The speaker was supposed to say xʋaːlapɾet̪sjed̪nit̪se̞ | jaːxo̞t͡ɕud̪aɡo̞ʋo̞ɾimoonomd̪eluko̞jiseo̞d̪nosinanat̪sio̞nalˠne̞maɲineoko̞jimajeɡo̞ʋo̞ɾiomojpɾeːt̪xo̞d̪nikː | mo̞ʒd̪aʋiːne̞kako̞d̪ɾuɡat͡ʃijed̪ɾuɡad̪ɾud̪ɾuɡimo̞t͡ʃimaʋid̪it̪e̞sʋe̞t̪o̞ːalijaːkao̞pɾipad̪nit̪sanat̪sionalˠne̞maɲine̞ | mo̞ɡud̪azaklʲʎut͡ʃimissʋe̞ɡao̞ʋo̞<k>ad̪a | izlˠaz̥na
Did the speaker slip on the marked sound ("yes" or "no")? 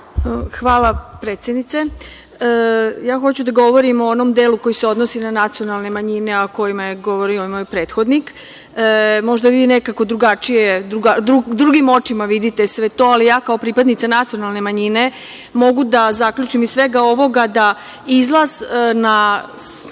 yes